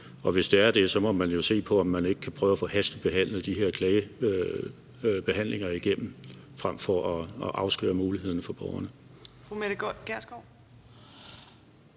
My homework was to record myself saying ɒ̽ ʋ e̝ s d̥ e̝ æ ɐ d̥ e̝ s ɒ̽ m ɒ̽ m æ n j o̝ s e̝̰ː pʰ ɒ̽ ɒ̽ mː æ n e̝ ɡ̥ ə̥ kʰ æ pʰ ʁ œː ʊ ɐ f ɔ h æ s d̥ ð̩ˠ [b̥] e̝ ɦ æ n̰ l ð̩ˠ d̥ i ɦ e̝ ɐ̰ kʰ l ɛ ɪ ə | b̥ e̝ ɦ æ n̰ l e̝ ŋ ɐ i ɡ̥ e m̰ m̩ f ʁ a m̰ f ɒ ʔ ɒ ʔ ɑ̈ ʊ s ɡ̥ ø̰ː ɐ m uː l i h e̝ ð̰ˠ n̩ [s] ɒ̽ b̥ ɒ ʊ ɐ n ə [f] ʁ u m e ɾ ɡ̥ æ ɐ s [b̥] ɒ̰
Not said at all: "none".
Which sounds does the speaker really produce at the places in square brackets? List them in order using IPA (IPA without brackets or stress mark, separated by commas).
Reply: b̥, f, f, ɡ̥